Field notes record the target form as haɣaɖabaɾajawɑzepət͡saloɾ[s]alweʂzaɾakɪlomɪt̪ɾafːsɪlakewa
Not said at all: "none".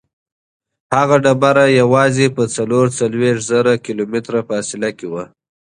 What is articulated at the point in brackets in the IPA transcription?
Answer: t͡s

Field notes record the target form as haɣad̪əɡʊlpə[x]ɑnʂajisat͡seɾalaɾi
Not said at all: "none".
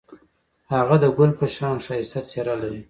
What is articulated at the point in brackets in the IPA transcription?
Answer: ʃ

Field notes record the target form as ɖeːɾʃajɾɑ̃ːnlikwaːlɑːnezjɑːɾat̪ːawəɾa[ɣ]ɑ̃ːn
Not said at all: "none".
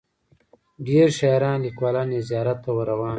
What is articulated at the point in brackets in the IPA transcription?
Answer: w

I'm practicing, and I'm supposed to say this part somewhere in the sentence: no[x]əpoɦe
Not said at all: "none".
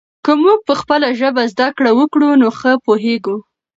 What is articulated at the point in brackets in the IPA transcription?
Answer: x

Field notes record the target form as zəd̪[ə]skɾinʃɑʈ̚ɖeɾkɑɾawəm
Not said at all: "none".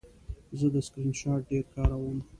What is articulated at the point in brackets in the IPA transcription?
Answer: ə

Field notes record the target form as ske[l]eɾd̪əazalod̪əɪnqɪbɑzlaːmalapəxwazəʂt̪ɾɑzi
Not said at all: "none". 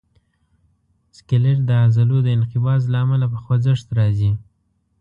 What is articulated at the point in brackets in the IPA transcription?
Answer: l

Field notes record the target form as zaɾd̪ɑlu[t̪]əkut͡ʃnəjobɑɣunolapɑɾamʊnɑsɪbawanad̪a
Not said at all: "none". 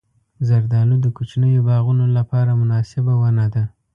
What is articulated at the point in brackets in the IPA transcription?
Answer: d̪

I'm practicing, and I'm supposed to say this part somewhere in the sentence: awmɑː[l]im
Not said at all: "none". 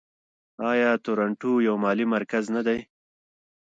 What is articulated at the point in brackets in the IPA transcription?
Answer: l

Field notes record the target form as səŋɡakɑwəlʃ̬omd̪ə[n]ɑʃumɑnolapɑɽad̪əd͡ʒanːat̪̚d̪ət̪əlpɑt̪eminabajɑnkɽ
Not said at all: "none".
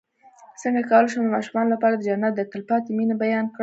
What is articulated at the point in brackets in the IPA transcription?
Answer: m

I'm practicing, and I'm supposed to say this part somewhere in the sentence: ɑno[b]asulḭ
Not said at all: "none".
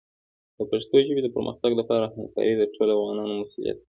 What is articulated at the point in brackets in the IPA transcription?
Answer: m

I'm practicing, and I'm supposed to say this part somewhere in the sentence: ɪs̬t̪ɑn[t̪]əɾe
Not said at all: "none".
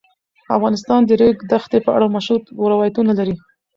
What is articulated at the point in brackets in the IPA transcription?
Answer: d̪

